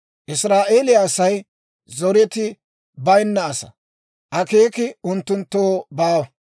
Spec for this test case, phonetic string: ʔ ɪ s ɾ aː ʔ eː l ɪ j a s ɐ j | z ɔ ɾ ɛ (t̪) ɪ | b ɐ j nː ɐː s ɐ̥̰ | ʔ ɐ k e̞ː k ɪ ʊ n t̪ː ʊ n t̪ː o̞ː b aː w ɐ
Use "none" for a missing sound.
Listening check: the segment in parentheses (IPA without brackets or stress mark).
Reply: t̪